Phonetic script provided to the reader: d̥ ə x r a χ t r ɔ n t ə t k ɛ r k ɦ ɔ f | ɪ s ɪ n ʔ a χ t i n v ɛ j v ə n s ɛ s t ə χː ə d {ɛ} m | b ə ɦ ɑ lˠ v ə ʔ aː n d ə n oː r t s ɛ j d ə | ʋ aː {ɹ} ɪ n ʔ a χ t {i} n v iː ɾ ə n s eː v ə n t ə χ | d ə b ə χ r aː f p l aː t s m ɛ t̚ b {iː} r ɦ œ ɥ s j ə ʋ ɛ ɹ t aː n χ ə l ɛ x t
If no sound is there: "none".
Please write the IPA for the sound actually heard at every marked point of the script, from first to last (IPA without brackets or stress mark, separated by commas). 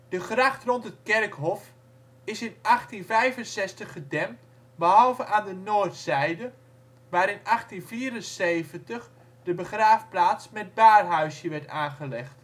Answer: ɛ, ɾ, i, aː